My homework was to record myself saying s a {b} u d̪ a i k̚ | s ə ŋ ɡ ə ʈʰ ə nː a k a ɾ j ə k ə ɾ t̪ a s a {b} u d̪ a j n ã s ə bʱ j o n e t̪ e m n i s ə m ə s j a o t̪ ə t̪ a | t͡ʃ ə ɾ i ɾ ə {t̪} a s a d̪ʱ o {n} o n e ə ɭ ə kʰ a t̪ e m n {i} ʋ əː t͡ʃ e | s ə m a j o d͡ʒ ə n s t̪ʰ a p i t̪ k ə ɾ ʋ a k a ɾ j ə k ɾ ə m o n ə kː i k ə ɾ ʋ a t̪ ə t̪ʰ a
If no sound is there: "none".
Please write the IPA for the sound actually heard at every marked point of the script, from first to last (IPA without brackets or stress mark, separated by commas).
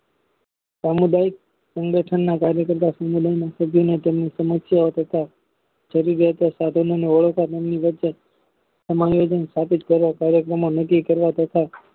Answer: m, m, t̪, n, i